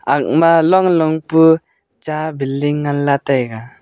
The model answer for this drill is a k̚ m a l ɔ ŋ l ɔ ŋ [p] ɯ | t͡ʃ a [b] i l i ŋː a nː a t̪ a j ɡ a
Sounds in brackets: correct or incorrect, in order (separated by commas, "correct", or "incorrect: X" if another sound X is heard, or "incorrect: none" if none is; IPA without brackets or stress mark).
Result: correct, correct